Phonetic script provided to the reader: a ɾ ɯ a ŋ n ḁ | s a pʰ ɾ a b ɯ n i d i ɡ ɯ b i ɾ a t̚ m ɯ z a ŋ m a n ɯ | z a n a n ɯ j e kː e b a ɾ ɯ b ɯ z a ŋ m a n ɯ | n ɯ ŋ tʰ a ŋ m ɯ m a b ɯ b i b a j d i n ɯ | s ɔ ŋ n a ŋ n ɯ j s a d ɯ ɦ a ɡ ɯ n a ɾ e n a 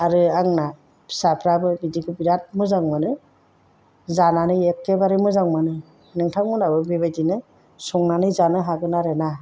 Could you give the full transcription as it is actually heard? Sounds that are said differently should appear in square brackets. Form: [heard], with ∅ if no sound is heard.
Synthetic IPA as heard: a ɾ ɯ a ŋ n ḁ | s a pʰ ɾ a b ɯ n i d i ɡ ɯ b i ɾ a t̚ m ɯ z a ŋ m a n ɯ | z a n a n ɯ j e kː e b a ɾ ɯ [m] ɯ z a ŋ m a n ɯ | n ɯ ŋ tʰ a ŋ m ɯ [n] a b ɯ b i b a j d i n ɯ | s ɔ ŋ n a [∅] n ɯ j [z] a [n] ɯ ɦ a ɡ ɯ n a ɾ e n a